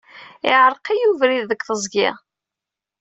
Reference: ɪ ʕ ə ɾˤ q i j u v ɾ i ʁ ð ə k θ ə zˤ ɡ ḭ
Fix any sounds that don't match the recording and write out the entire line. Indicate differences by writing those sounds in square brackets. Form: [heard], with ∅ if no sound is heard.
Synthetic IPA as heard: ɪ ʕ ə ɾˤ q i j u v ɾ i [ð] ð ə k θ ə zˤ ɡ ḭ

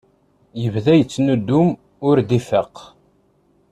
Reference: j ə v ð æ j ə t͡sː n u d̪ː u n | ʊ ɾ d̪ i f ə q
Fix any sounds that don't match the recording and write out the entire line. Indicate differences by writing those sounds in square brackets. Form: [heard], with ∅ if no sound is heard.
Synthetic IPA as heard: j ə v ð æ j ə t͡sː n u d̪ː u [m] | ʊ ɾ d̪ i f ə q

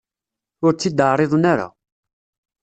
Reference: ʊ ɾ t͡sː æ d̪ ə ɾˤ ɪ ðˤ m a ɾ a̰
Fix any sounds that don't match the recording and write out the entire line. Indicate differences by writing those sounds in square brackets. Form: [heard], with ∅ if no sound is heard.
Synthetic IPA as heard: ʊ ɾ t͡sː [i] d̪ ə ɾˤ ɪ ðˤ [n] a ɾ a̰

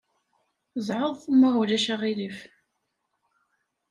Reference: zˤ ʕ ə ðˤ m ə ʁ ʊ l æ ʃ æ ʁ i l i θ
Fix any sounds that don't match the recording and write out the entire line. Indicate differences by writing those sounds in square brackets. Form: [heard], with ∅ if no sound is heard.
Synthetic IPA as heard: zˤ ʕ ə ðˤ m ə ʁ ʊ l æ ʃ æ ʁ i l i [f]

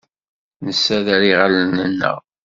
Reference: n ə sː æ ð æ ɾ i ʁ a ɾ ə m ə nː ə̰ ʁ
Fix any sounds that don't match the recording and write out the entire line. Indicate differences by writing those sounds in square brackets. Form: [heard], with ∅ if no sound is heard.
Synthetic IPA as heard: n ə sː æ ð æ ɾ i ʁ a [l] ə [n] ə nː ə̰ ʁ

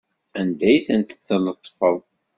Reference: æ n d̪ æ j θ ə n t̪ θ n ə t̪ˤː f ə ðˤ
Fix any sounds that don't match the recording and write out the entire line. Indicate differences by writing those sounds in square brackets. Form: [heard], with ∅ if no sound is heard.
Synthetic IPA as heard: æ n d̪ æ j θ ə n t̪ θ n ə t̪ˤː f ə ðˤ

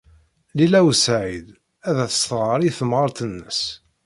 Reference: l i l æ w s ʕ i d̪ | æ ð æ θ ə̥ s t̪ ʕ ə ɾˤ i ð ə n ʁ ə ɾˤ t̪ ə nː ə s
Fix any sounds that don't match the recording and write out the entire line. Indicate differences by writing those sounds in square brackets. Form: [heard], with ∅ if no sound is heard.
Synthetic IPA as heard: l i l æ w s ʕ i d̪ | æ ð æ θ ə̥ s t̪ [ʁ] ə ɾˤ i [θ] ə [m] ʁ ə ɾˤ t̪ ə nː ə s

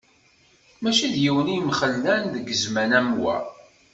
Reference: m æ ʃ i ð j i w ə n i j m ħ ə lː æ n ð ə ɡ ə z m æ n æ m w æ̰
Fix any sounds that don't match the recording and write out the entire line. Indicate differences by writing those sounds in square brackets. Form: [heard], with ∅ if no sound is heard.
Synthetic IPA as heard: m æ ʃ i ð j i w ə n i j m [χ] ə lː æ n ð ə ɡ ə z m æ n æ m w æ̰

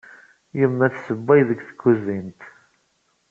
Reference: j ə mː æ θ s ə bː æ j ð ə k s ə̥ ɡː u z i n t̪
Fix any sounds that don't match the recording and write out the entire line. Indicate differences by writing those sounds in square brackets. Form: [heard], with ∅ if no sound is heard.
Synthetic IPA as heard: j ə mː æ θ s ə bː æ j ð ə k [θ] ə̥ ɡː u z i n t̪

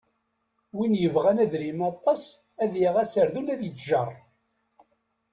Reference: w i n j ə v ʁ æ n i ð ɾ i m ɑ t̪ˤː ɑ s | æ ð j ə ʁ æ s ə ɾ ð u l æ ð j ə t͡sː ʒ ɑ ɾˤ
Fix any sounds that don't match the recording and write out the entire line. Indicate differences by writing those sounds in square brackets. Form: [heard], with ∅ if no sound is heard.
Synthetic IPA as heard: w i n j ə v ʁ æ n [æ] ð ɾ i m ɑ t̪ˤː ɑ s | æ ð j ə ʁ æ s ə ɾ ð u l æ ð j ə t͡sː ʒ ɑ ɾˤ

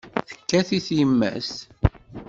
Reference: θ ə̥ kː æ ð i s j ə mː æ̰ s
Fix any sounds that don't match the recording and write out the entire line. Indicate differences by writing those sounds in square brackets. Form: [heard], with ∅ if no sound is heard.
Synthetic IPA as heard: θ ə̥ kː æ [θ] i [θ] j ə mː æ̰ s

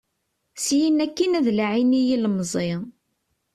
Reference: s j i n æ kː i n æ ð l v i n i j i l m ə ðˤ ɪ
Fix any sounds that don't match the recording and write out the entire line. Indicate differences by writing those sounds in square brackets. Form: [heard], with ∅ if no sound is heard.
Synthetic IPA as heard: s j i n æ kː i n æ ð l [ʕ] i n i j i l m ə [zˤ] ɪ

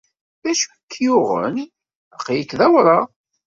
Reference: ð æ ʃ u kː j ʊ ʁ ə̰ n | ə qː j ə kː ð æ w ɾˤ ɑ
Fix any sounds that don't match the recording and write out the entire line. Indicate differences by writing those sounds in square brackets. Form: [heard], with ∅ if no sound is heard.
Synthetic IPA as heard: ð æ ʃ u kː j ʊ ʁ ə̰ n | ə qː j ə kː ð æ w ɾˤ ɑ

